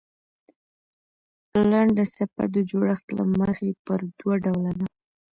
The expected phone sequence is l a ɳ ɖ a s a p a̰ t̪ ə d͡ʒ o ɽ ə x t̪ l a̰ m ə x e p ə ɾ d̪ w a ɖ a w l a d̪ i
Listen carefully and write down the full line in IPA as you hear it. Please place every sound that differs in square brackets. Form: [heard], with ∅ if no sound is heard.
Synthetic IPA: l a ɳ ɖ a s a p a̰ [d̪] ə d͡ʒ o ɽ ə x t̪ l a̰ m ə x e p ə ɾ d̪ w a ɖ a w l a d̪ [a]